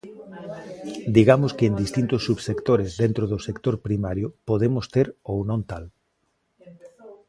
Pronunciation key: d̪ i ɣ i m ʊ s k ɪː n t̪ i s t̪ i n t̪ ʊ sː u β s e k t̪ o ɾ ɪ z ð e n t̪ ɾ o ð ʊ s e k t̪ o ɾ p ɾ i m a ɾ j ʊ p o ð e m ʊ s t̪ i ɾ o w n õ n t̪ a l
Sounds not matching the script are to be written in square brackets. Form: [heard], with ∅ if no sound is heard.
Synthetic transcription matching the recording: d̪ i ɣ [a] m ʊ s k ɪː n [d̪] i s t̪ i n t̪ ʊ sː u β s e k t̪ o ɾ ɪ z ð e n t̪ ɾ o ð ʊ s e k t̪ o ɾ p ɾ i m a ɾ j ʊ p o ð e m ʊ s t̪ [e] ɾ o w n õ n t̪ a l